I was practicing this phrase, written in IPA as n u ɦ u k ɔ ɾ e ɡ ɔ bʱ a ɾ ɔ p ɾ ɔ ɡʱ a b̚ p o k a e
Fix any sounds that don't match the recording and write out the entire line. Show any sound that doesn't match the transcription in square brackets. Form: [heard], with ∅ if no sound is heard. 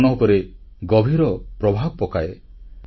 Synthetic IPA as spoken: n [ɔ] ɦ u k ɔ ɾ e ɡ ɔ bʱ [i] ɾ ɔ p ɾ ɔ [bʱ] a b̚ p [ɔ] k a e